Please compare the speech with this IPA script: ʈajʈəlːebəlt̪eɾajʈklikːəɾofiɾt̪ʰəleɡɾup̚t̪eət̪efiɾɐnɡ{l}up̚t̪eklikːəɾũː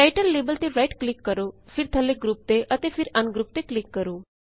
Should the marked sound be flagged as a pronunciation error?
yes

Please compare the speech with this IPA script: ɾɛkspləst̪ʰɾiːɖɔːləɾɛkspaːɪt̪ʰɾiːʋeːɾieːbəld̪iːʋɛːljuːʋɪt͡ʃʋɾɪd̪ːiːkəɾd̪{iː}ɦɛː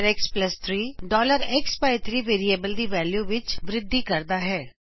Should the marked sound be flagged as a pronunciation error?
yes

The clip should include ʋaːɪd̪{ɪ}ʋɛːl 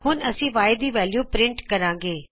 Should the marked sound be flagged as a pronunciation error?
yes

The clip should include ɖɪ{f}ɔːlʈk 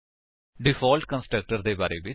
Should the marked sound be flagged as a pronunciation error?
no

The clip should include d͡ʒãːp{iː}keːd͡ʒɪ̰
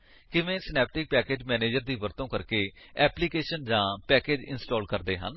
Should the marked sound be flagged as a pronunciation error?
yes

